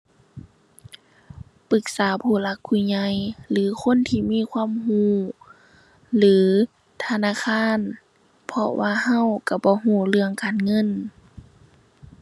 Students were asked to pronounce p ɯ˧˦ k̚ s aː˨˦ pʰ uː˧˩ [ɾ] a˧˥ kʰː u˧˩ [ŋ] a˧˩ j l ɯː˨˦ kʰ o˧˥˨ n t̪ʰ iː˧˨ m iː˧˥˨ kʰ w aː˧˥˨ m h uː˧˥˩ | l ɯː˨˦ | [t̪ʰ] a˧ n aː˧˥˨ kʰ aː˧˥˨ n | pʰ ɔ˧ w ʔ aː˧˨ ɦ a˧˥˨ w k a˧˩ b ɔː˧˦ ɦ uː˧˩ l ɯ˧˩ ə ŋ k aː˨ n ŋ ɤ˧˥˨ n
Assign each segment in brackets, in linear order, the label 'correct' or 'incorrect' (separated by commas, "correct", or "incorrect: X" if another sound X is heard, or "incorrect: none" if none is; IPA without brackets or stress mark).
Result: incorrect: l, incorrect: ɲ, correct